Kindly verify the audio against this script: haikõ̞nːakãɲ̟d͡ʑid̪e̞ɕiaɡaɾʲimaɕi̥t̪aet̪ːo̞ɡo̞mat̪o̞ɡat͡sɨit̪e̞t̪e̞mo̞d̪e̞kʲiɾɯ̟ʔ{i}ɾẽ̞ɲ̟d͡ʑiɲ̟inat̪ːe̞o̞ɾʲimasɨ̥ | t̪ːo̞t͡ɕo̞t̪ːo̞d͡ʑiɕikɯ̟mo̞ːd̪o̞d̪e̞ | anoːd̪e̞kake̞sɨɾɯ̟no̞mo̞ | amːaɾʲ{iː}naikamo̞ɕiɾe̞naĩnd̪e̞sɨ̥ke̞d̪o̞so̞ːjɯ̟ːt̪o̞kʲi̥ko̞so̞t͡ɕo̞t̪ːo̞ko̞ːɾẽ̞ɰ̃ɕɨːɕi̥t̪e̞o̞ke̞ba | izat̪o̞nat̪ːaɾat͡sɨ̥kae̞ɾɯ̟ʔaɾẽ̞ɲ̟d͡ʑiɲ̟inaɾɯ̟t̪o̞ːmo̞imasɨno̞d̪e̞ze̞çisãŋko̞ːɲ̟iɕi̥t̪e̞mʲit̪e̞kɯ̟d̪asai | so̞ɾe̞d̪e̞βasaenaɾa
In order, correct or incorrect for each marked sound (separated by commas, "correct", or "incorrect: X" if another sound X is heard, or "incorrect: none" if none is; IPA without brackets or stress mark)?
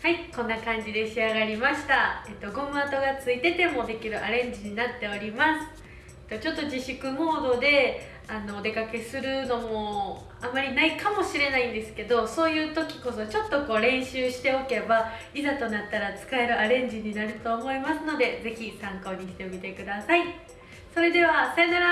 incorrect: a, incorrect: i